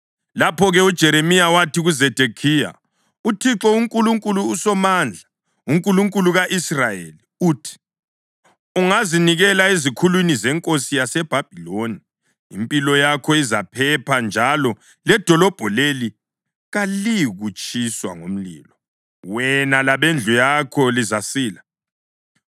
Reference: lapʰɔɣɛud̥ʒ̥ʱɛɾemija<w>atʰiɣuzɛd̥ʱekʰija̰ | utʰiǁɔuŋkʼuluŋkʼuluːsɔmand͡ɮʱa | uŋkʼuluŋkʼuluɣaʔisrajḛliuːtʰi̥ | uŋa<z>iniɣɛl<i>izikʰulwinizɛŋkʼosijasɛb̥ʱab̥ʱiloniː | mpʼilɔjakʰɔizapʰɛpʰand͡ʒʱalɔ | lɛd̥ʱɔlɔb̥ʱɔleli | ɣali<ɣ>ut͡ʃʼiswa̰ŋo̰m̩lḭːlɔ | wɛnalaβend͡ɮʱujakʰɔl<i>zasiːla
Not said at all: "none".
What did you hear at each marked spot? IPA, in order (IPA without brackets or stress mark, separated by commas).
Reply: w, z, a, ɣ, i